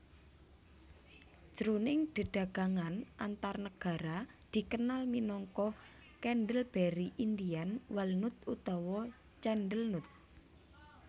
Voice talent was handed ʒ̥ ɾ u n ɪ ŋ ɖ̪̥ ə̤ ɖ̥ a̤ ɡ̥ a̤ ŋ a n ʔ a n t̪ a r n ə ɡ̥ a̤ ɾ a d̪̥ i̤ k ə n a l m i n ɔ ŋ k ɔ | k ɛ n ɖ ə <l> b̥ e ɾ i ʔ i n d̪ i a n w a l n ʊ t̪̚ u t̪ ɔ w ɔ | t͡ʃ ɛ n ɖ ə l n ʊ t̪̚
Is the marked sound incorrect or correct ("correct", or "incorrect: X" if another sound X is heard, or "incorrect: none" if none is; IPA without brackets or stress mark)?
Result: correct